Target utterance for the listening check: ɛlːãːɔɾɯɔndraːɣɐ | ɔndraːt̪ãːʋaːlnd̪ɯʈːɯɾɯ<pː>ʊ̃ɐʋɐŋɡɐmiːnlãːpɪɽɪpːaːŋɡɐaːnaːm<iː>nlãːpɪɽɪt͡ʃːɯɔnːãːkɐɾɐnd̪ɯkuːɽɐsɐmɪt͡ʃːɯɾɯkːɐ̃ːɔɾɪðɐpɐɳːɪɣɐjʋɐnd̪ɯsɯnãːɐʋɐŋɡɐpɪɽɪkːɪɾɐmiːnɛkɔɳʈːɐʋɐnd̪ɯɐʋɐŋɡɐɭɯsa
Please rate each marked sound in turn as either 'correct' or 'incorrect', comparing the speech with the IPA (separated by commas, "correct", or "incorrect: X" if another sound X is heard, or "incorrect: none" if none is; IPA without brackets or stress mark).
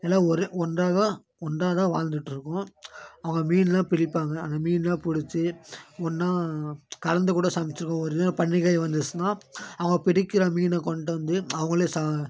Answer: incorrect: kː, correct